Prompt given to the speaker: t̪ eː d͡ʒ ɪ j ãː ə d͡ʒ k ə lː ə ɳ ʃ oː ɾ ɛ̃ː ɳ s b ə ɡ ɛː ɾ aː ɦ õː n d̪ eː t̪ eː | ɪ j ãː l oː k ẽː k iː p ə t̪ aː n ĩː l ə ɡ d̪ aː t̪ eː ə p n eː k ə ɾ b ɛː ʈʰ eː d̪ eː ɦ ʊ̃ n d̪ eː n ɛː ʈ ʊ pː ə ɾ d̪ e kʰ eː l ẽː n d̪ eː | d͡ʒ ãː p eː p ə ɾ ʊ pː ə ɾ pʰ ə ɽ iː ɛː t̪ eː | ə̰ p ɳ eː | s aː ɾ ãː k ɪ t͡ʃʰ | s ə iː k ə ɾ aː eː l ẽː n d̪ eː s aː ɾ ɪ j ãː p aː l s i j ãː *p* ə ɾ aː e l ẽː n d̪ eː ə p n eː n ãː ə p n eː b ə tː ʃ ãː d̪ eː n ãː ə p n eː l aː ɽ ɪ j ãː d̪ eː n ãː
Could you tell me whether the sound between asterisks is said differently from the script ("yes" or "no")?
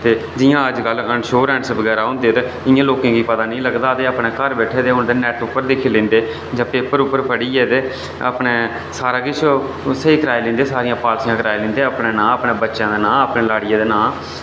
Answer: yes